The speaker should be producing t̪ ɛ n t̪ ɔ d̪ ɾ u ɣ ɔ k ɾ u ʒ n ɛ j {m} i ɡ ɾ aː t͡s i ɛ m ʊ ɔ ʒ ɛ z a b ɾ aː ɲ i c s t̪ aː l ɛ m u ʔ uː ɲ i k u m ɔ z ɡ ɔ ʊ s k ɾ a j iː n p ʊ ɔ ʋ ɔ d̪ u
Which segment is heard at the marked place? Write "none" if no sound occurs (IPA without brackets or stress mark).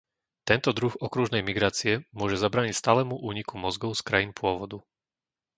m